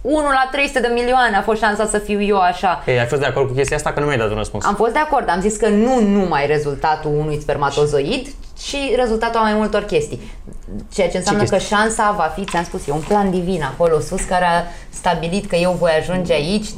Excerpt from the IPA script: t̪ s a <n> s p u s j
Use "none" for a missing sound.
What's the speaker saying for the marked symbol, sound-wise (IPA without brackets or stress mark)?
m